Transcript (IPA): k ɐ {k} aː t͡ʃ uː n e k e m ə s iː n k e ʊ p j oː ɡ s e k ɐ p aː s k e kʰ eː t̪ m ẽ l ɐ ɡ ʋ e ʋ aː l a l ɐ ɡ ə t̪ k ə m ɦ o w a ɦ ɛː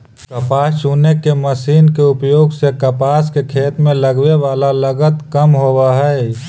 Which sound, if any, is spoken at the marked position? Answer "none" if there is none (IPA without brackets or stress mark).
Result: p